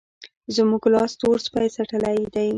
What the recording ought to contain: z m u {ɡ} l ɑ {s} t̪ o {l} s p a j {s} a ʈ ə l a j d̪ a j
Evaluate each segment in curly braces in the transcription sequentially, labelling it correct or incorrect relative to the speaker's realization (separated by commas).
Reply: correct, correct, incorrect, correct